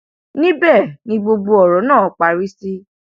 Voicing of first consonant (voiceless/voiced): voiced